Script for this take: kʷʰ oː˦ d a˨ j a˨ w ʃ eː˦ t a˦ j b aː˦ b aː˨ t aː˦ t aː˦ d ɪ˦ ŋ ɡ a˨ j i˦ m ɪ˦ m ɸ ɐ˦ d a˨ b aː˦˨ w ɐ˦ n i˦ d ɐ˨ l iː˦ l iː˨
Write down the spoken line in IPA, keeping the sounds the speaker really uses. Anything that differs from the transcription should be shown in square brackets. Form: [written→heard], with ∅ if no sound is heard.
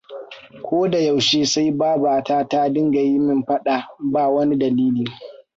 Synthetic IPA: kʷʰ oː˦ d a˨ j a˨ w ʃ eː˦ [t→s] a˦ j b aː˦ b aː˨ t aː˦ t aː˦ d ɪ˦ ŋ ɡ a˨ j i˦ m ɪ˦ m ɸ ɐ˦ [d→ɗ] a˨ b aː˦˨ w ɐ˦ n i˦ d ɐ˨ l iː˦ l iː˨